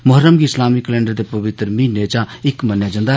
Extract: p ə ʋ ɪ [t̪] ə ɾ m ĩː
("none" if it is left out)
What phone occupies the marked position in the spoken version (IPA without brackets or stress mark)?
t̪